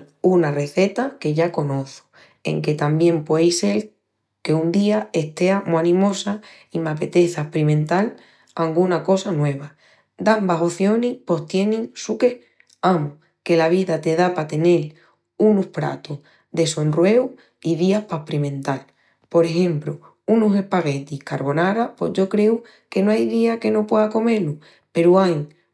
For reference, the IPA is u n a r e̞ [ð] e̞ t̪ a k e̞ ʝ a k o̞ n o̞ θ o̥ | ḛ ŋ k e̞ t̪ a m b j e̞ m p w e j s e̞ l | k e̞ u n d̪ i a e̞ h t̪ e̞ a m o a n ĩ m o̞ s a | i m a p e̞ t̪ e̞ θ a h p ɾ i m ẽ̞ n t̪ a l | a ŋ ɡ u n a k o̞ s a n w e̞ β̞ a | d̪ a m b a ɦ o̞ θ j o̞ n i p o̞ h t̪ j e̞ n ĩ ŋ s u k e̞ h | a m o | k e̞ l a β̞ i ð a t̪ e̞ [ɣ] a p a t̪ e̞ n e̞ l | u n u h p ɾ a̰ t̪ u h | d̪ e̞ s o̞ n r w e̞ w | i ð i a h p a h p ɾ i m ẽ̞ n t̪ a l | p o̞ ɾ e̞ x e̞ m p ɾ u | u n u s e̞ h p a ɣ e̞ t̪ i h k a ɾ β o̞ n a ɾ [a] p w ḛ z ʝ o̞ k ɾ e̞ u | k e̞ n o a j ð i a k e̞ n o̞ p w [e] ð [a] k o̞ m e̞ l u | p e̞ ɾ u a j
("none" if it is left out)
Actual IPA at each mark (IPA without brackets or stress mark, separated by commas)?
θ, ð, a, e, a